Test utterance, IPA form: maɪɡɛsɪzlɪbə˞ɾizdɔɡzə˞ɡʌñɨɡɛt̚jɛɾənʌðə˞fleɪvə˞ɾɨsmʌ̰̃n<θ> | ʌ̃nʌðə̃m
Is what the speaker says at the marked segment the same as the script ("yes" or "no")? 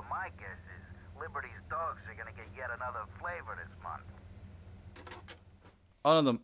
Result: yes